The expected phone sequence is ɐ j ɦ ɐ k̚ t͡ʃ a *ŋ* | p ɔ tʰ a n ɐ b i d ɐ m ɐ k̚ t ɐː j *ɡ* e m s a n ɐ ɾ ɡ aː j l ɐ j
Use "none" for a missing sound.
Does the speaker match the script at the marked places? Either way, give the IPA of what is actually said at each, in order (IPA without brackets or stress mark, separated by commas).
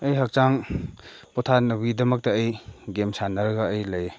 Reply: ŋ, ɡ